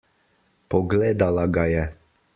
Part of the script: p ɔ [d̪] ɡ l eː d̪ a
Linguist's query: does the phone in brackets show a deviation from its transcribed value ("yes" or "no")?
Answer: yes